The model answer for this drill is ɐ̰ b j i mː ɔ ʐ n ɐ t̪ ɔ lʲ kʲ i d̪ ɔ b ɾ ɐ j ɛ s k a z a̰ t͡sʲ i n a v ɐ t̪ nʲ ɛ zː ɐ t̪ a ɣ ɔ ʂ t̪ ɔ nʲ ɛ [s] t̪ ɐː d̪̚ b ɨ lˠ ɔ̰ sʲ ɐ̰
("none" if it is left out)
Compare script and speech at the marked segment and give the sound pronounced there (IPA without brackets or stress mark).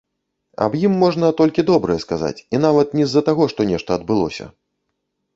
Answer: ʂ